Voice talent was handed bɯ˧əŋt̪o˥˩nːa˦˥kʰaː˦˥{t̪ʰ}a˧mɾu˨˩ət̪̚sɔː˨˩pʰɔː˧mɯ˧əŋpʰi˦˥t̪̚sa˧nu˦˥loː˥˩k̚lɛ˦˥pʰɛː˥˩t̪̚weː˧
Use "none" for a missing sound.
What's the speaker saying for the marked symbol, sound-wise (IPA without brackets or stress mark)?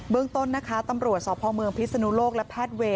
t̪